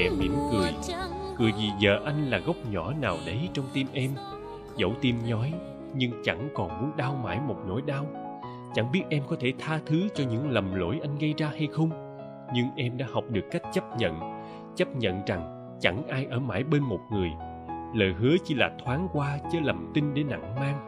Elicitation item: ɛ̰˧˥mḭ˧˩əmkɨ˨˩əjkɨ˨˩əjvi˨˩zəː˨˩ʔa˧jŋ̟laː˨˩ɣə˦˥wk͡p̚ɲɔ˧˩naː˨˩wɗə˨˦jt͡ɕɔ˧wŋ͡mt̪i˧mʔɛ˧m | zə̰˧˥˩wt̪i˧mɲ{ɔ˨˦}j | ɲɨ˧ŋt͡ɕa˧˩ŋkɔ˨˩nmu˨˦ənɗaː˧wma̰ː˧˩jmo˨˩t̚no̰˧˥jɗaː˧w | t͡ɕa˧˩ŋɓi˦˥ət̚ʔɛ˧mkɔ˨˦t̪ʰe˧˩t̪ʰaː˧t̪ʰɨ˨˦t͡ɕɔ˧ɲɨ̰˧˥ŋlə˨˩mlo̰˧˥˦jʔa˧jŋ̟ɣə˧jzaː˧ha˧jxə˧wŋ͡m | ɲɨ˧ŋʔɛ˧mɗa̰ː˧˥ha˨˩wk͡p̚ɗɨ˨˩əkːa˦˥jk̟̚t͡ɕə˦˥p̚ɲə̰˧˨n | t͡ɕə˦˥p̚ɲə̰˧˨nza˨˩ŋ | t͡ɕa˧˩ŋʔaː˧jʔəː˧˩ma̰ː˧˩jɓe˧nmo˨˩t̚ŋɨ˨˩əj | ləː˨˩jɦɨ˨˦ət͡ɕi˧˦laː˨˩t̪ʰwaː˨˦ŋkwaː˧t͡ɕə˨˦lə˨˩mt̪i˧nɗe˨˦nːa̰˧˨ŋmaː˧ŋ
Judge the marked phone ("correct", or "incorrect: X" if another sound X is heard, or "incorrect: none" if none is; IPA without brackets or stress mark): correct